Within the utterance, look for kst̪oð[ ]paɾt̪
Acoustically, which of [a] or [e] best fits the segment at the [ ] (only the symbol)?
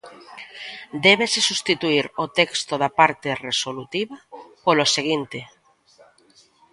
a